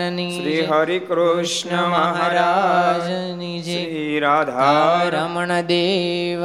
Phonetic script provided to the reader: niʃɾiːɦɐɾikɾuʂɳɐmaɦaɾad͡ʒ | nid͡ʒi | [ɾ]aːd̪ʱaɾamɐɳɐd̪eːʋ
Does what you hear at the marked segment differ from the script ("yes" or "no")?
no